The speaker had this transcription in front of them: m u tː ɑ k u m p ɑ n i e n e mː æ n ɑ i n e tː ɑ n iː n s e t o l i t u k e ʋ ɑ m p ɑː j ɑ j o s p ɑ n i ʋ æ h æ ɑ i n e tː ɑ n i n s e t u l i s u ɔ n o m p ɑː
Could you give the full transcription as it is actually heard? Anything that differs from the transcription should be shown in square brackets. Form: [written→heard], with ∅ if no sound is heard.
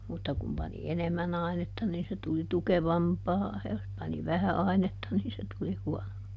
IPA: m u tː ɑ k u m p ɑ n i e n e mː æ n ɑ i n e tː ɑ n iː n s e t [o→u] l i t u k e ʋ ɑ m p ɑː j ɑ j o s p ɑ n i ʋ æ h æ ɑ i n e tː ɑ n [i→iː] n s e t u l i [s→h] u ɔ n o m p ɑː